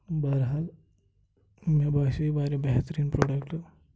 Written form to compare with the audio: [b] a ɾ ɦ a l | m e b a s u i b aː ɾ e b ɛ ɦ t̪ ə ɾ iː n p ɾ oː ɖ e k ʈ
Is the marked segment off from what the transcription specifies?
no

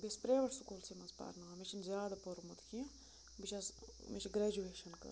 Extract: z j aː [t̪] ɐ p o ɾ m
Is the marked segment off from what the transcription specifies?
yes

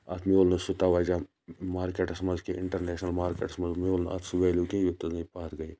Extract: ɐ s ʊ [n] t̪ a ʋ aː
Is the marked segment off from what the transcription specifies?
yes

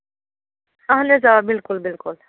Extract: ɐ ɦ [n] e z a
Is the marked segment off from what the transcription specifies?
no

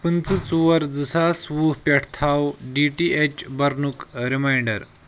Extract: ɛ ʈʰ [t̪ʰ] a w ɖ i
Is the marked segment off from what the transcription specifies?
no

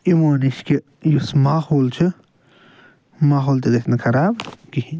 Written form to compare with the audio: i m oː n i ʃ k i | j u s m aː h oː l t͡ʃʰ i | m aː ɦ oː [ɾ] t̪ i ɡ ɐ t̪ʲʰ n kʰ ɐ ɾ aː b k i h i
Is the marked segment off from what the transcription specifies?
yes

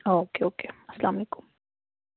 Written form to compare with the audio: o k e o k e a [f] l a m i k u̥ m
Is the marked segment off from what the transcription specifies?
yes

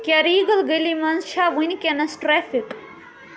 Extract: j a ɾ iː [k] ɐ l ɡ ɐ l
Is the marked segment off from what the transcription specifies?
yes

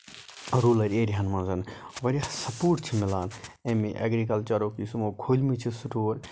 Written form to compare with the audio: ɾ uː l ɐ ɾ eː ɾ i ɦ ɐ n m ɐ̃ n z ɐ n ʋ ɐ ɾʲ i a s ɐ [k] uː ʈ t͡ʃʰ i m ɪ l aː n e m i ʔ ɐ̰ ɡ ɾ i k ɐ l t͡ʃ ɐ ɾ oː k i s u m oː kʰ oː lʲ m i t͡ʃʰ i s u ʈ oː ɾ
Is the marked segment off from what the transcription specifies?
yes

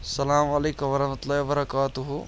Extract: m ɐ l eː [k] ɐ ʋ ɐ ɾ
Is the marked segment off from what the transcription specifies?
no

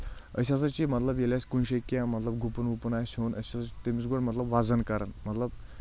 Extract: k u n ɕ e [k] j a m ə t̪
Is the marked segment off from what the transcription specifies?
no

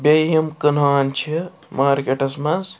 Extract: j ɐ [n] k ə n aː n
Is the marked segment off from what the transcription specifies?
yes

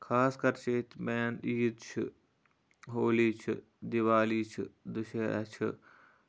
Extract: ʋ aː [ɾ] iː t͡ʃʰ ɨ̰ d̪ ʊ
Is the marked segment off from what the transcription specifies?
yes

